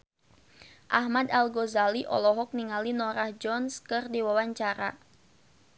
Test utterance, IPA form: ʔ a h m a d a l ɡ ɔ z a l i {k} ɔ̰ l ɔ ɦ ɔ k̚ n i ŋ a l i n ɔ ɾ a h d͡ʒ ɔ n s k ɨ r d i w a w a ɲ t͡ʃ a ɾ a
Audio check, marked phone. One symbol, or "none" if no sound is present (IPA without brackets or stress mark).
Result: ʔ